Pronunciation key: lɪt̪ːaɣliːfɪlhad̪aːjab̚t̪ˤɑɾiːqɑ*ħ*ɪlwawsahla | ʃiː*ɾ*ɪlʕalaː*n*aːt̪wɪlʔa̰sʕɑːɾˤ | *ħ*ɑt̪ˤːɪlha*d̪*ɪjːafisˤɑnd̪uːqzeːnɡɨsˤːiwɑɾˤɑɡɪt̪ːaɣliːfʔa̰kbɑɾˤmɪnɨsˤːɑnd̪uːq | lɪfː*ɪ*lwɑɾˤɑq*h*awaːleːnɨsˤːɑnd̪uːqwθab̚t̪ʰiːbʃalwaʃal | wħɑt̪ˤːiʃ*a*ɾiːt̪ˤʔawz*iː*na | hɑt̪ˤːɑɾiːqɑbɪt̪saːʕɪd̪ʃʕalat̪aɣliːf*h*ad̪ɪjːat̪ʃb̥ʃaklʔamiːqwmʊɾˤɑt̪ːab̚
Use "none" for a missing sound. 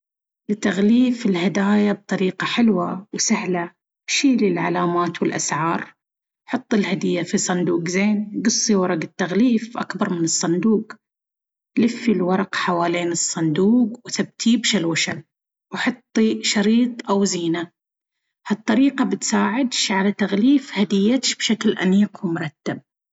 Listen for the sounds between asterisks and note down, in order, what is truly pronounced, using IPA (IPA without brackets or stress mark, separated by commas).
ħ, l, m, ħ, d̪, i, ħ, ɑ, iː, h